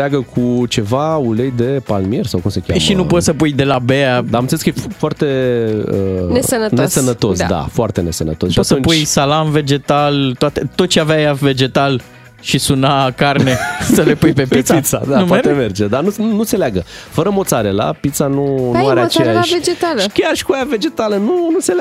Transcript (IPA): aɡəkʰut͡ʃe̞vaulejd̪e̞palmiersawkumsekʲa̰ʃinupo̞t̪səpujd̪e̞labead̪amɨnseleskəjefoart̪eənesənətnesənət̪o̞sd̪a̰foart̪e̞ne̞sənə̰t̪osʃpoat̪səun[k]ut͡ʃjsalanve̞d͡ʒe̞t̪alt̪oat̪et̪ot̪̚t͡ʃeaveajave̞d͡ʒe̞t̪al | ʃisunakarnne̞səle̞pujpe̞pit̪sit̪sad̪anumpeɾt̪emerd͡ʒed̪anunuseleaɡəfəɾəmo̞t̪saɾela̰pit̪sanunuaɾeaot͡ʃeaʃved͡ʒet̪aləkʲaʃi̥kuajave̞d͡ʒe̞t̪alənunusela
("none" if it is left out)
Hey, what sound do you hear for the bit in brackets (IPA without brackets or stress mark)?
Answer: p